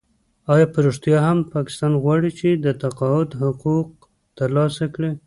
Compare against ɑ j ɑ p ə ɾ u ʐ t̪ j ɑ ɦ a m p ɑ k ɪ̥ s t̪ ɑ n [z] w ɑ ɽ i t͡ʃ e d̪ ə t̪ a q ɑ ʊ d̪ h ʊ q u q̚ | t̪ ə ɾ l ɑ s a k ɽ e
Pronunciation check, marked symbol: incorrect: ɣ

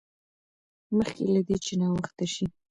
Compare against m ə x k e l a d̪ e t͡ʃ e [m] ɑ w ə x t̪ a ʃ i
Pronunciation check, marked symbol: incorrect: n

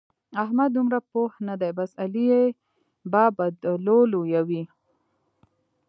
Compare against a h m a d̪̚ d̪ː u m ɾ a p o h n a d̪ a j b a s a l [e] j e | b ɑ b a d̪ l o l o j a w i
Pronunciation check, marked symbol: incorrect: i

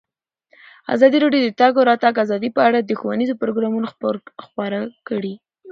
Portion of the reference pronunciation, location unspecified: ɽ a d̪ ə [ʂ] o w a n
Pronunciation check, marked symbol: incorrect: x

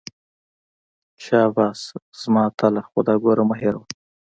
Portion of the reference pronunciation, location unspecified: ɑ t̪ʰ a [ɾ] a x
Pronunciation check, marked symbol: incorrect: l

